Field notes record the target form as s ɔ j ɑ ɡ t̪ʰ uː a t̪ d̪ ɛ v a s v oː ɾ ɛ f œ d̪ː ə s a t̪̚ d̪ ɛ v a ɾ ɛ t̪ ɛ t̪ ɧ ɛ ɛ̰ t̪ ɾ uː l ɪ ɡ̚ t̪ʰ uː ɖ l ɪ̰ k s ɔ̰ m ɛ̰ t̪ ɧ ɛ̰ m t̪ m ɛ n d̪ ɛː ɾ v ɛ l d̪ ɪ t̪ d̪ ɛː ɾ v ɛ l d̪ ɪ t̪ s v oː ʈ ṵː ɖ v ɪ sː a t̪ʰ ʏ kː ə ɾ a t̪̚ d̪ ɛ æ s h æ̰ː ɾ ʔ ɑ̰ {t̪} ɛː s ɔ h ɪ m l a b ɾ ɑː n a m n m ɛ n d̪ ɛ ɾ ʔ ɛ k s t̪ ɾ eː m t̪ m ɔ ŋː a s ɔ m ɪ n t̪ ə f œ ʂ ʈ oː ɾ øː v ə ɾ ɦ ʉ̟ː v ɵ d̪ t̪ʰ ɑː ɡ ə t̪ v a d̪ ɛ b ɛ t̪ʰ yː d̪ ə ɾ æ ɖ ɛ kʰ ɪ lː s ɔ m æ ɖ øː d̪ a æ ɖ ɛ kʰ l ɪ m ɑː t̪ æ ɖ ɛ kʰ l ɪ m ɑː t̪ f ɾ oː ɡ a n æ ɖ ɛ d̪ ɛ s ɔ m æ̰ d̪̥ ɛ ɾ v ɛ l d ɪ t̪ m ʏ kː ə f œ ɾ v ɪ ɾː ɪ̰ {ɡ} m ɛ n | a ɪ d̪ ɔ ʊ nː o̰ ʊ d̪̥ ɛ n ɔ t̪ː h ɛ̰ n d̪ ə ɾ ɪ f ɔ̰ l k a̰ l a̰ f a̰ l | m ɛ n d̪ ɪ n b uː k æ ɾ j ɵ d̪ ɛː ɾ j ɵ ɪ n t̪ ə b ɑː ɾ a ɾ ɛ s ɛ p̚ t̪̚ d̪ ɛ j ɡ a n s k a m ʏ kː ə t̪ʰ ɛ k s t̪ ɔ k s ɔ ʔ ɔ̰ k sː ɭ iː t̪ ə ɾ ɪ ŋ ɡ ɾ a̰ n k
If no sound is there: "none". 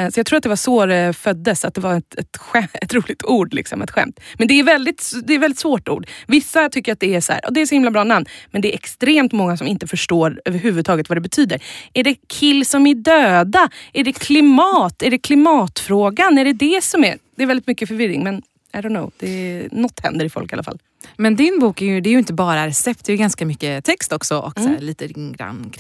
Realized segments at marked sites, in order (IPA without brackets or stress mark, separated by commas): d̪, ŋ